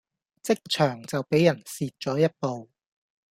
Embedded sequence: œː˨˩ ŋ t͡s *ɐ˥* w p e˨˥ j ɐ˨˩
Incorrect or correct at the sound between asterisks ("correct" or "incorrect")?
incorrect